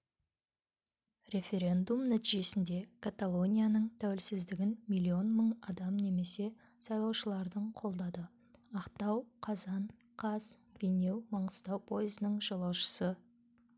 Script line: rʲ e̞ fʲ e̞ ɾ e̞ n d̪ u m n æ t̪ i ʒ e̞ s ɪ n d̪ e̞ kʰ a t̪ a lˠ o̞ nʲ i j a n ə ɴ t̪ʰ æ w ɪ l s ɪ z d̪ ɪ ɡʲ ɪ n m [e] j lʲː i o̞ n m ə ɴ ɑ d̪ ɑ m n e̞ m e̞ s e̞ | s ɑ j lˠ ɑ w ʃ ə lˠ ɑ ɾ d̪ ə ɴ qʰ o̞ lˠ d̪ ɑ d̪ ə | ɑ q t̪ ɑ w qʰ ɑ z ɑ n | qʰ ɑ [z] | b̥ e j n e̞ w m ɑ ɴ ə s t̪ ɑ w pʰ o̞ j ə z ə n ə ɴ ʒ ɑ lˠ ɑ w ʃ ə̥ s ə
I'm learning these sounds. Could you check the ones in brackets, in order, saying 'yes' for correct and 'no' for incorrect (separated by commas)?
no, yes